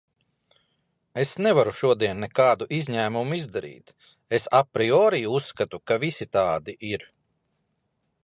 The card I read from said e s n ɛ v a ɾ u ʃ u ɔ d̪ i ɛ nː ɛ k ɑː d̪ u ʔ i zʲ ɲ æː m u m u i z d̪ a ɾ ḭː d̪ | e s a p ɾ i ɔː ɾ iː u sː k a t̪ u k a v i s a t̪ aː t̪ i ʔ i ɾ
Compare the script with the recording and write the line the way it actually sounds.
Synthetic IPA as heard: e s n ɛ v a ɾ u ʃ u ɔ d̪ i ɛ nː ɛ k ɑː d̪ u ʔ i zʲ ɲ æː m u m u i z d̪ a ɾ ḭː t̪ | e s a p ɾ i ɔː ɾ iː u sː k a t̪ u k a v i s i t̪ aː d̪ i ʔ i ɾ